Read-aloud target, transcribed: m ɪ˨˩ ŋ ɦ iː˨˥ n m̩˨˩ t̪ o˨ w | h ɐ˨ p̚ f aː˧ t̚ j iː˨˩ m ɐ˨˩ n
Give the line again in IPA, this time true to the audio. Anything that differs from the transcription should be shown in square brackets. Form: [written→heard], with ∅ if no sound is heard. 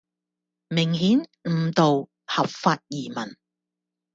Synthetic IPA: m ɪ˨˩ ŋ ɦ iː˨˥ n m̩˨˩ t̪ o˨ w | h ɐ˨ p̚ f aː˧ t̚ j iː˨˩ m ɐ˨˩ n